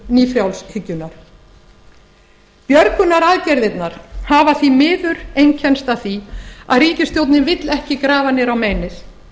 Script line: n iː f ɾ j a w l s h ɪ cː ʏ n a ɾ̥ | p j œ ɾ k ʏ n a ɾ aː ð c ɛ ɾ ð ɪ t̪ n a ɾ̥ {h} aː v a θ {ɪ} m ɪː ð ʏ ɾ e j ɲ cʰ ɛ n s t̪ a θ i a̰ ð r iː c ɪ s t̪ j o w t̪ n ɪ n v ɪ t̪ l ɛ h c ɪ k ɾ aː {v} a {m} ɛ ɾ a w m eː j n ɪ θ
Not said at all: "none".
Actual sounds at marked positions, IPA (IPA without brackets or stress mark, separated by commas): h, i, v, n